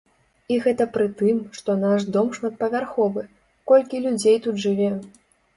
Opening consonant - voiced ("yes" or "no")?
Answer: yes